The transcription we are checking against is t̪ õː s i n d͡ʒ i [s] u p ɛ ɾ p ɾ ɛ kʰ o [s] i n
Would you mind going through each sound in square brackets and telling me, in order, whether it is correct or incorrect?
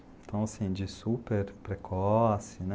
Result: correct, correct

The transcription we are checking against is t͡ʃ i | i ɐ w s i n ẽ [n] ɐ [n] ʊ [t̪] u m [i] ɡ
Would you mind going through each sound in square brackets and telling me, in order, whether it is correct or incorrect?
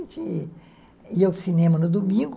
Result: incorrect, correct, incorrect, incorrect

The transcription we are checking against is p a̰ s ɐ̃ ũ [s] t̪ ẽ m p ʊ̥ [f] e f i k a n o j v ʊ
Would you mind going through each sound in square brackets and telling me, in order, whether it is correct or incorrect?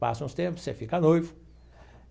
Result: correct, incorrect

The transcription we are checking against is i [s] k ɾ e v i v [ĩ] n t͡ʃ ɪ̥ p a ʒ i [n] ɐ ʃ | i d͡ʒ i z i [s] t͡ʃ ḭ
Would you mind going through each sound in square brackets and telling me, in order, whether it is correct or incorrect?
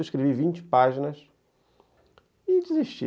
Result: incorrect, correct, correct, incorrect

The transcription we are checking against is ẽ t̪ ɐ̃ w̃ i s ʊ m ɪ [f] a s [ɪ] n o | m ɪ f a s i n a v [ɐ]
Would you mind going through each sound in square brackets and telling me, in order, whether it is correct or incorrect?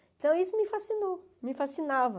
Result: correct, incorrect, correct

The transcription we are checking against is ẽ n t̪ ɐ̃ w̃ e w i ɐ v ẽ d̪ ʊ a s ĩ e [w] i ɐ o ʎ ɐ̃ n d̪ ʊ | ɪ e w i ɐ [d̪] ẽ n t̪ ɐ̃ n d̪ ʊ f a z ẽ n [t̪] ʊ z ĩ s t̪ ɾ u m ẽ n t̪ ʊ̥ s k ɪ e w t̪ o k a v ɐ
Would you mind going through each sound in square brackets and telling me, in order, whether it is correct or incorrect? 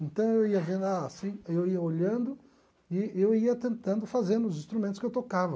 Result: correct, incorrect, incorrect

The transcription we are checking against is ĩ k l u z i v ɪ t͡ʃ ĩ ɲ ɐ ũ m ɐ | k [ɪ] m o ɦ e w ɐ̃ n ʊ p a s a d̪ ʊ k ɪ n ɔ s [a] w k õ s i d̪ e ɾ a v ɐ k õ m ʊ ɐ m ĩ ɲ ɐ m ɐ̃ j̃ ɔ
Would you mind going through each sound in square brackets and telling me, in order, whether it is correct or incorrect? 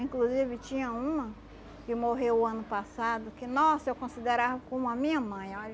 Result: correct, incorrect

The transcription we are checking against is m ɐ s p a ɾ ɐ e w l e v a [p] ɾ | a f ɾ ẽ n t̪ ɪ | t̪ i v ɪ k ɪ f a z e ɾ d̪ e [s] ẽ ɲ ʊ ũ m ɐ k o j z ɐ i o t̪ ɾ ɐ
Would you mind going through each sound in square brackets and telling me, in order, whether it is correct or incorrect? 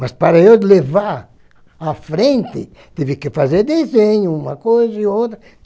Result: incorrect, incorrect

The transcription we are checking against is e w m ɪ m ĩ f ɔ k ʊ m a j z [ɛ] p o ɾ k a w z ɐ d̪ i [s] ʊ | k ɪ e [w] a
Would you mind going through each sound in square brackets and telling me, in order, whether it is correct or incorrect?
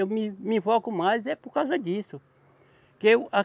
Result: correct, correct, correct

